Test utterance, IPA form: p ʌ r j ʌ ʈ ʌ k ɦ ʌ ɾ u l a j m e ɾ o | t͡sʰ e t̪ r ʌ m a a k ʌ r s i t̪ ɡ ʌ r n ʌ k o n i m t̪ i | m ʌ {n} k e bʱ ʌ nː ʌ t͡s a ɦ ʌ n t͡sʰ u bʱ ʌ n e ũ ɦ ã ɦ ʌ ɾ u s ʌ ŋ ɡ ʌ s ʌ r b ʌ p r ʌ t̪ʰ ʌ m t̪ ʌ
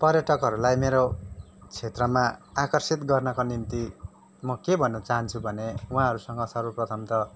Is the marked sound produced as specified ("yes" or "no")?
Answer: no